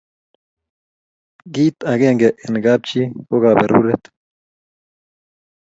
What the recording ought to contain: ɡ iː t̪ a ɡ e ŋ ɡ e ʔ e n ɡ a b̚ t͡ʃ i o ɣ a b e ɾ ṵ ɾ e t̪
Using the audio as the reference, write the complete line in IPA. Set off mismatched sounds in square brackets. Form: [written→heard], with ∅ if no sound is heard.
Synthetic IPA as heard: ɡ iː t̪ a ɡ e ŋ ɡ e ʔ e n ɡ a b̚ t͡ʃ i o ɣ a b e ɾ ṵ ɾ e t̪